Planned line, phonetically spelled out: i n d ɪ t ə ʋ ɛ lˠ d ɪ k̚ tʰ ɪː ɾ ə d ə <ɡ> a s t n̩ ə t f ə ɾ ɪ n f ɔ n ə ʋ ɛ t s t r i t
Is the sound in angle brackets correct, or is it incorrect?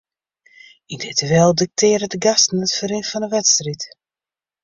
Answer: correct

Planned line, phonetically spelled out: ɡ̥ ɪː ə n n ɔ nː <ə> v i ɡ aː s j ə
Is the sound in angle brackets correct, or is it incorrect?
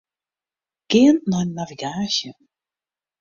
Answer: incorrect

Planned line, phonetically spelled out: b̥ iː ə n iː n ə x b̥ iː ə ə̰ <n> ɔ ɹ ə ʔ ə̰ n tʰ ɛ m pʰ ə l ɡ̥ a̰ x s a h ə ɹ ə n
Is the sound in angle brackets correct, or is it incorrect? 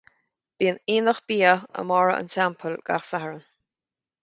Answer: incorrect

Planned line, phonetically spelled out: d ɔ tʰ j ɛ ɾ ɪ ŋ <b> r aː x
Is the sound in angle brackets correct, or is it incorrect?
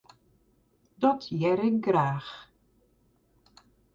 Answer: incorrect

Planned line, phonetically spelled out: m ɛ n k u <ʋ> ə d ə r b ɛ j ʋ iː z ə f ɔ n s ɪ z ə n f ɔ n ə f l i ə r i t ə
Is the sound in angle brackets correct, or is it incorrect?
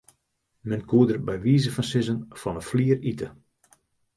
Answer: incorrect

